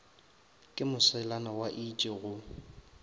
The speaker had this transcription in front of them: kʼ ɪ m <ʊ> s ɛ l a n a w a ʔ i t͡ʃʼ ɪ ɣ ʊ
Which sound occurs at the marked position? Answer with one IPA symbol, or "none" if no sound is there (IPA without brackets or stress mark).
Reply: ʊ